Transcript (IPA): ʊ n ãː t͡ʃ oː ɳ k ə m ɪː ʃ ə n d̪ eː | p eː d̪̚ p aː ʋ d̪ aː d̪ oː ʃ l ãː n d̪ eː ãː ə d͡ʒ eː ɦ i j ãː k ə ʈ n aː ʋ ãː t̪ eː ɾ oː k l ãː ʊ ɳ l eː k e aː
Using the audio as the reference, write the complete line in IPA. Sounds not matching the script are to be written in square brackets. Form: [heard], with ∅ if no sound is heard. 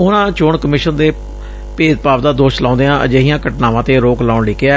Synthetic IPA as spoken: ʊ n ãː t͡ʃ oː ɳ k ə m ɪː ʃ ə n d̪ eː | p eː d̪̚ p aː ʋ d̪ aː d̪ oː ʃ l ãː n d̪ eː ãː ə d͡ʒ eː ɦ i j ãː k ə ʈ n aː ʋ ãː t̪ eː ɾ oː k l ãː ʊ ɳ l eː k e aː

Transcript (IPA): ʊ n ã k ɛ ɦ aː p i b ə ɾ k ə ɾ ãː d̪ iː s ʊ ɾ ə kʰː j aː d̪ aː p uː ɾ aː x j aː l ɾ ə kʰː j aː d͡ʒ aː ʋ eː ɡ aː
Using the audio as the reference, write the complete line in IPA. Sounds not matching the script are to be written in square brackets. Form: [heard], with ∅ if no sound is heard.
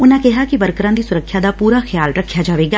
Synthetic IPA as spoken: ʊ n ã k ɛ ɦ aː [k] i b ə ɾ k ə ɾ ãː d̪ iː s ʊ ɾ ə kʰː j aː d̪ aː p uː ɾ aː x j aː l ɾ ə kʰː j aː d͡ʒ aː ʋ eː ɡ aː

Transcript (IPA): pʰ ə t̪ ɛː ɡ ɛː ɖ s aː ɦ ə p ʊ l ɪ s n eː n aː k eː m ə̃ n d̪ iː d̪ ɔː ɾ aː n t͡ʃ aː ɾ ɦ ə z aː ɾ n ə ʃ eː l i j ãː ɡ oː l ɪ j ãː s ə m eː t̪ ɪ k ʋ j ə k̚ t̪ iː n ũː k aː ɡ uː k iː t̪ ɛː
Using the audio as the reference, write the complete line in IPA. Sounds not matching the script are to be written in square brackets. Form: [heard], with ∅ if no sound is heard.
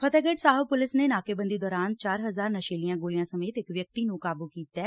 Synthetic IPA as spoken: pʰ ə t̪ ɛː ɡ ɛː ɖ s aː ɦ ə p ʊ l ɪ s n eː n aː k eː [b] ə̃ n d̪ iː d̪ ɔː ɾ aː n t͡ʃ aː ɾ ɦ ə z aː ɾ n ə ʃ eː l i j ãː ɡ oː l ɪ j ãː s ə m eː t̪ ɪ k ʋ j ə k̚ t̪ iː n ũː k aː [b] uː k iː t̪ ɛː

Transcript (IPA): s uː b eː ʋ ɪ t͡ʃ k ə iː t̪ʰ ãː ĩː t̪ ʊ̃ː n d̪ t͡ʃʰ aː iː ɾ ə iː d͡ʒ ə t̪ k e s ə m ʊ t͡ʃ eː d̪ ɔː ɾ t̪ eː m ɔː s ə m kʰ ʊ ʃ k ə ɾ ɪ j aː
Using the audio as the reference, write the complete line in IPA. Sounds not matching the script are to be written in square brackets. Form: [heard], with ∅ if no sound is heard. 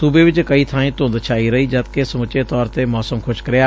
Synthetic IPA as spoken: s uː b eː ʋ ɪ t͡ʃ k ə iː t̪ʰ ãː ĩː t̪ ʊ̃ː n d̪ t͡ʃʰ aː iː ɾ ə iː d͡ʒ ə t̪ k e s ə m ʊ t͡ʃ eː [t̪] ɔː ɾ t̪ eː m ɔː s ə m kʰ ʊ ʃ k ə ɾ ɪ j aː

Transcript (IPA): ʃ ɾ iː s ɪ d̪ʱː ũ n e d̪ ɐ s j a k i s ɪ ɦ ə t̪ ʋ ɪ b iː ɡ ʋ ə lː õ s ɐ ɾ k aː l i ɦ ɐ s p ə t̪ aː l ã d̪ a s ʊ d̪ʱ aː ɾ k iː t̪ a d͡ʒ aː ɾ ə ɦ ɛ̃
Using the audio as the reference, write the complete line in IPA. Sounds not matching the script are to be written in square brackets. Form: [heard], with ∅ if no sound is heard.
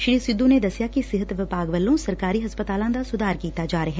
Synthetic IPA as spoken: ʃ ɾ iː s ɪ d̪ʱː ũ n e d̪ ɐ s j a k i s ɪ ɦ ə t̪ ʋ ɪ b [aː] ɡ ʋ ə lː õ s ɐ ɾ k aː [ɾ] i ɦ ɐ s p ə t̪ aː l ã d̪ a s ʊ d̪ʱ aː ɾ k iː t̪ a d͡ʒ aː ɾ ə ɦ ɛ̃

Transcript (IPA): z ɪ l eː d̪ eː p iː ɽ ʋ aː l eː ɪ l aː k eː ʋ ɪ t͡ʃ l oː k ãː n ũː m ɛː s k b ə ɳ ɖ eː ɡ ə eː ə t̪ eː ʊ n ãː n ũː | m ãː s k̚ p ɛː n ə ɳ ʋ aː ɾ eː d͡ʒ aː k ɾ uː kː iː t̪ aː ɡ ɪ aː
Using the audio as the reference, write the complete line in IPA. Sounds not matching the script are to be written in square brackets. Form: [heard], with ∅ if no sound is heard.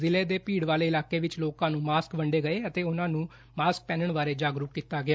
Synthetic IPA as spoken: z ɪ l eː d̪ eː p iː ɽ ʋ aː l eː ɪ l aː k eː ʋ ɪ t͡ʃ l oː k ãː n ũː m [aː] s k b ə ɳ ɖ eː ɡ ə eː ə t̪ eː ʊ n ãː n ũː | m [aː] s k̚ p ɛː n ə ɳ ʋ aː ɾ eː d͡ʒ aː [ɡ] ɾ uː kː iː t̪ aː ɡ ɪ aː

